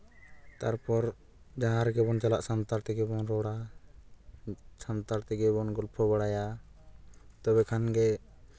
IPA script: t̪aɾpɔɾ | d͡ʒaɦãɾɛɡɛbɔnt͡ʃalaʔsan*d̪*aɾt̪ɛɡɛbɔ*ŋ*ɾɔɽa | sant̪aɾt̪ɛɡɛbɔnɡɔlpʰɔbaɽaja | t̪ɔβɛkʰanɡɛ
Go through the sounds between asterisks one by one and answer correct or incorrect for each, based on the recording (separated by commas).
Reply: incorrect, incorrect